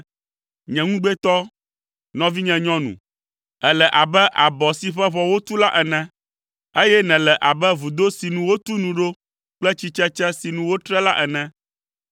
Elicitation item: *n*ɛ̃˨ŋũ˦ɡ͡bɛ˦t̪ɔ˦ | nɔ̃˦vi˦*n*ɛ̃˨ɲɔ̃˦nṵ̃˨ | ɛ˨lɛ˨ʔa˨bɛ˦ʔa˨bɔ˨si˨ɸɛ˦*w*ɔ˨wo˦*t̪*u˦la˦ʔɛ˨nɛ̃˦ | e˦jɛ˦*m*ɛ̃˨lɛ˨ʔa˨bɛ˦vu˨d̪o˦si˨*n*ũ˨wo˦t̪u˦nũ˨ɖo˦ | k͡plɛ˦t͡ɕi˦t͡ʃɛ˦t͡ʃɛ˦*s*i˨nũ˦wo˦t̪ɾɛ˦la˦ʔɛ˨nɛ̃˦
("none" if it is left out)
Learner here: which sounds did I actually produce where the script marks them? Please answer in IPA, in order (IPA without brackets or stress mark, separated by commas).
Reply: ɲ, ɲ, β, t̪, n, n, s